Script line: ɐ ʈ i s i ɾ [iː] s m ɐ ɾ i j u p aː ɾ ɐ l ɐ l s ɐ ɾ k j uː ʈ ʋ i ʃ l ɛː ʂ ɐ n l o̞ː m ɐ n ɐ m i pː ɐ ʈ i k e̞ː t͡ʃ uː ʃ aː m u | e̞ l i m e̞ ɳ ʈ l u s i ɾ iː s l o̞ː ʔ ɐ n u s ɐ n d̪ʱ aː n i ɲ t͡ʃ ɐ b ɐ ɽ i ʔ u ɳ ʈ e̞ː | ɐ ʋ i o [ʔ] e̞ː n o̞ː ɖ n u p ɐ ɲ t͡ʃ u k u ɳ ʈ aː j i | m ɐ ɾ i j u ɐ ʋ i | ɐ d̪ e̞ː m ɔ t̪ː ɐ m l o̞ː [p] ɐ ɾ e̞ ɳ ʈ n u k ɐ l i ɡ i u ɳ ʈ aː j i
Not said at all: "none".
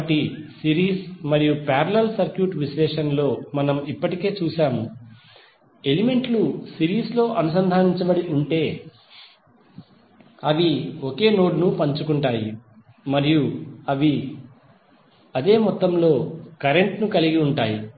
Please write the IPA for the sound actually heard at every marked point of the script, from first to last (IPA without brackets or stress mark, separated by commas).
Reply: iː, k, k